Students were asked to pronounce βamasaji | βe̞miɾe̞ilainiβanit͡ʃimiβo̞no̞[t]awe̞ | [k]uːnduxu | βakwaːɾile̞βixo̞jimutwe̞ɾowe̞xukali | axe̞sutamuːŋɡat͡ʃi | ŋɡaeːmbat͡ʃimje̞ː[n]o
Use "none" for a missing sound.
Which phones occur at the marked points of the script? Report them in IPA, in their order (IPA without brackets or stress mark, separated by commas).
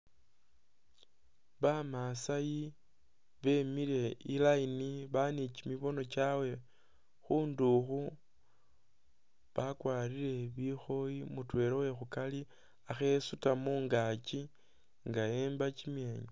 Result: t͡ʃ, x, ɲ